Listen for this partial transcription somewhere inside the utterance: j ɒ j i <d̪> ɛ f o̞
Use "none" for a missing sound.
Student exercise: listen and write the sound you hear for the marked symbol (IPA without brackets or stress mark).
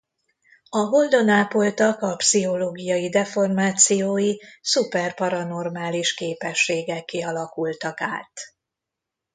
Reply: d̪